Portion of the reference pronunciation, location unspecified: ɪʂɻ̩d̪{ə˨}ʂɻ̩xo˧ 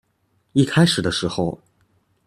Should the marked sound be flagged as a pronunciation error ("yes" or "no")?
yes